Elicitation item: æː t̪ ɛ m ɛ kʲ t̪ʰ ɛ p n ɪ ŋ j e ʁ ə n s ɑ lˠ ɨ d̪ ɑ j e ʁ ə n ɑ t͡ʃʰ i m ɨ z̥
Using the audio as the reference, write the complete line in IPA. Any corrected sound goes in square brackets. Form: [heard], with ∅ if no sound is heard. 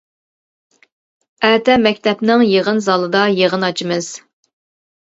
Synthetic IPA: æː t̪ ɛ m ɛ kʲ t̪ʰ ɛ p n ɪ ŋ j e ʁ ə n [z] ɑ lˠ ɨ d̪ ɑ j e ʁ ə n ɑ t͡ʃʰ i m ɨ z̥